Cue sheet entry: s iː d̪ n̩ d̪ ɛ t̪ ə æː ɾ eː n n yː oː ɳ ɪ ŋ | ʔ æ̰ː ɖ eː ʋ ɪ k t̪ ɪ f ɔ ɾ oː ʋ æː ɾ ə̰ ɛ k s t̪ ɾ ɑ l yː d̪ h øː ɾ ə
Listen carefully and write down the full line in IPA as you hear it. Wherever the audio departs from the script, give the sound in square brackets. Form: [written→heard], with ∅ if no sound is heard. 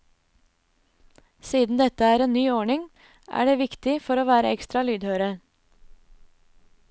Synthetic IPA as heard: s iː d̪ n̩ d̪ ɛ t̪ ə æː ɾ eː n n yː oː ɳ ɪ ŋ | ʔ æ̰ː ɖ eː ʋ ɪ k t̪ ɪ f ɔ ɾ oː ʋ æː ɾ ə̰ ɛ k s t̪ ɾ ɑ l yː d̪ h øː ɾ ə